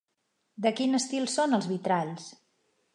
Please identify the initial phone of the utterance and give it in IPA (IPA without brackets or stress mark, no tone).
d̪